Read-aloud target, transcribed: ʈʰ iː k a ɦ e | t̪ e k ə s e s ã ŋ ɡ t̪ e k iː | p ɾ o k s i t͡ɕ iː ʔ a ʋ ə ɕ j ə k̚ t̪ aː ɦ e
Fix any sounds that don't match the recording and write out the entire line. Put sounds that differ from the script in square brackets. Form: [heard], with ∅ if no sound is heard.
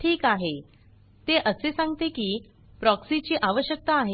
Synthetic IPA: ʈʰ iː k a ɦ e | t̪ e [ʔ] ə s e s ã ŋ ɡ t̪ e k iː | p ɾ [ɔ] k s i t͡ɕ iː ʔ a ʋ ə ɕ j ə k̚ t̪ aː ɦ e